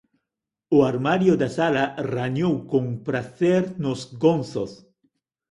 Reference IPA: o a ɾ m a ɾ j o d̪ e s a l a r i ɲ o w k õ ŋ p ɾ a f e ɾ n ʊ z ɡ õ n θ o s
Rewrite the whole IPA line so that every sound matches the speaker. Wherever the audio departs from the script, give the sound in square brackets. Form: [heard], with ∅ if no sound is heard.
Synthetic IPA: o a ɾ m a ɾ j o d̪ [a] s a l a r [a] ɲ o w k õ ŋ p ɾ a [θ] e ɾ n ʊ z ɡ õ n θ o s